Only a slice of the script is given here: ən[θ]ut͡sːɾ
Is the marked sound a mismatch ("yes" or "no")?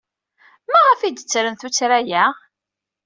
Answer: no